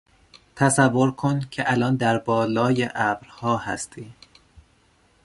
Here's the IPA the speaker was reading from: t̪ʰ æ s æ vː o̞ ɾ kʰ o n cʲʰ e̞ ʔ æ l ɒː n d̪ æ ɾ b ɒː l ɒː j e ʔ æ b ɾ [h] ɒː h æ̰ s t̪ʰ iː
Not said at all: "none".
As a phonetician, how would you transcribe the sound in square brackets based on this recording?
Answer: h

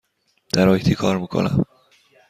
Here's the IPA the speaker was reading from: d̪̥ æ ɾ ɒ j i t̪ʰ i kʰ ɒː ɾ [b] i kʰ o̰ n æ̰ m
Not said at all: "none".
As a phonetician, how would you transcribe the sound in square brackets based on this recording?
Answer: m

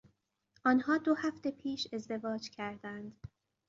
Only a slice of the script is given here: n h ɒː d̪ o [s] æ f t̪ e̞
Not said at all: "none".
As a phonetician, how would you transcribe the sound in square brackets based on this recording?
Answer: h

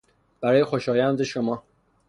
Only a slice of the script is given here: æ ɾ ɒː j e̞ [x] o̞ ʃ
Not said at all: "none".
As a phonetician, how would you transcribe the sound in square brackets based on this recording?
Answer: x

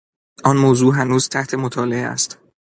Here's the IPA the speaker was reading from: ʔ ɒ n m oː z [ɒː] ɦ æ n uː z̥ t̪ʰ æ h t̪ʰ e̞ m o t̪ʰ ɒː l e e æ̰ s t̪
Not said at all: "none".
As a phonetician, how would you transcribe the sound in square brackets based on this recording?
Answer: uː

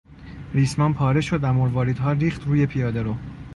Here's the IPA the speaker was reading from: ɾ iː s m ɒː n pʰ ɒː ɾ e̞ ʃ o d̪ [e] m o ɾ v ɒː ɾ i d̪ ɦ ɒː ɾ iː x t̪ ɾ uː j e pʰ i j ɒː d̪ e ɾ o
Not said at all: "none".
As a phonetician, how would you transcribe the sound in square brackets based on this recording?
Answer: æ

